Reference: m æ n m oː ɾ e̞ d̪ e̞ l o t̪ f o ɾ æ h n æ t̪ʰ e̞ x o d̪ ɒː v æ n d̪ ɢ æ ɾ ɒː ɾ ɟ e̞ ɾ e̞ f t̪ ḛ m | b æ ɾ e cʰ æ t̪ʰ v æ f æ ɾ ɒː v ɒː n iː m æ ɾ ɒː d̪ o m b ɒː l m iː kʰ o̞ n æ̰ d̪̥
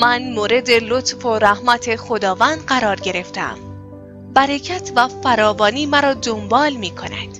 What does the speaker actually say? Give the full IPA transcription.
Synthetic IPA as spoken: m æ n m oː ɾ e̞ d̪ e̞ l o t̪ f o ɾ æ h m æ t̪ʰ e̞ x o d̪ ɒː v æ n d̪ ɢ æ ɾ ɒː ɾ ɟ e̞ ɾ e̞ f t̪ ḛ m | b æ ɾ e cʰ æ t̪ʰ v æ f æ ɾ ɒː v ɒː n iː m æ ɾ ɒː d̪ o m b ɒː l m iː kʰ o̞ n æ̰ d̪̥